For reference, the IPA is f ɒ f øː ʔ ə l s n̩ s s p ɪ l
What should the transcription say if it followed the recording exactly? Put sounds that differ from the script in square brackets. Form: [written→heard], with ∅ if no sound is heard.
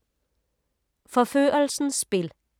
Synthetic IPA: f [ɒ→ɔ] f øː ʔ ə l s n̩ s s p ɪ l